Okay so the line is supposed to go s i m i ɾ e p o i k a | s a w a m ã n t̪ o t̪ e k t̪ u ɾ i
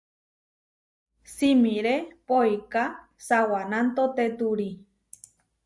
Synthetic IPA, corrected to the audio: s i m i ɾ e p o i k a | s a w a n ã n t̪ o t̪ e t̪ u ɾ i